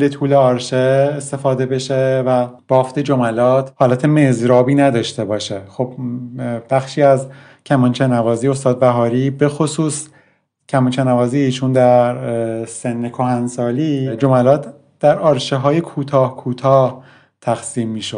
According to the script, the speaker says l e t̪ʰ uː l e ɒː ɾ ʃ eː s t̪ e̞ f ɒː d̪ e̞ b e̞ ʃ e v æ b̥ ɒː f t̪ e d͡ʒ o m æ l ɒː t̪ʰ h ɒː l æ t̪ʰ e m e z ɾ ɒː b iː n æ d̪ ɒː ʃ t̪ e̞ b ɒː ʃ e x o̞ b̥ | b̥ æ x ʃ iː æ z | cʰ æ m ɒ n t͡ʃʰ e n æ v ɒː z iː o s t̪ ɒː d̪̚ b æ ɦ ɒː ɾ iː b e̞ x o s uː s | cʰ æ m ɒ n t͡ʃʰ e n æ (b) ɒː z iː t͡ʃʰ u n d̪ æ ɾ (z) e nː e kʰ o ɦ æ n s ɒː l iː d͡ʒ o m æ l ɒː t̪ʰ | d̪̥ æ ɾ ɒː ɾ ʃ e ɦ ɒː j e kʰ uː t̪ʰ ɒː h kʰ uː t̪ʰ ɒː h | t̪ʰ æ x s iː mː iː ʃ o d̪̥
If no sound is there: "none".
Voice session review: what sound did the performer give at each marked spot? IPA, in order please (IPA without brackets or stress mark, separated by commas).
v, s